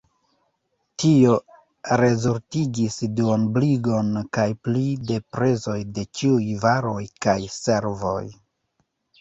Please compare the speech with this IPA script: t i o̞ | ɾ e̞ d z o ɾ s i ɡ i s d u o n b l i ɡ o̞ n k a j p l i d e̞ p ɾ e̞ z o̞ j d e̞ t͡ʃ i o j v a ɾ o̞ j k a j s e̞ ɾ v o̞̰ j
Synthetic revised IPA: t i o̞ | ɾ e̞ z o ɾ t i ɡ i s d u o n b l i ɡ o̞ n k a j p l i d e̞ p ɾ e̞ z o̞ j d e̞ t͡ʃ i u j v a ɾ o̞ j k a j s e̞ ɾ v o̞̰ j